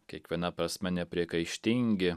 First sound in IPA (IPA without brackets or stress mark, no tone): kʲ